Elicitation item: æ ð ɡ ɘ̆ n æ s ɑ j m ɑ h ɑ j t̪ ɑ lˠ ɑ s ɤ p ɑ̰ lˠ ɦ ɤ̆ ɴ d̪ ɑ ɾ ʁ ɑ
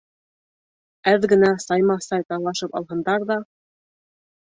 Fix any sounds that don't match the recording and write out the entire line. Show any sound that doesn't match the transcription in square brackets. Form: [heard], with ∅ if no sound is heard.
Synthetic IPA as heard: æ ð ɡ ɘ̆ n æ s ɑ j m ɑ [s] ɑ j t̪ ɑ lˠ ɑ [ʃ] ɤ p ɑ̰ lˠ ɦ ɤ̆ [n] d̪ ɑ ɾ [ð] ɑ